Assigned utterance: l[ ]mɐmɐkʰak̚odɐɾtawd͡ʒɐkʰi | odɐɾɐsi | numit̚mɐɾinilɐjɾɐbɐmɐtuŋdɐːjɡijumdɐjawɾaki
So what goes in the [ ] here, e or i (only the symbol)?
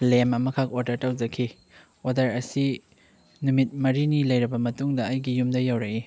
e